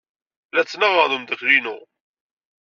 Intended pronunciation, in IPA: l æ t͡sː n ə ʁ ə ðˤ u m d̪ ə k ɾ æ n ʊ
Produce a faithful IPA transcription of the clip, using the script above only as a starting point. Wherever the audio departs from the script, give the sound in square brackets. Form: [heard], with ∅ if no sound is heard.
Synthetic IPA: l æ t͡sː n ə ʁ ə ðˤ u m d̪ ə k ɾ [i] n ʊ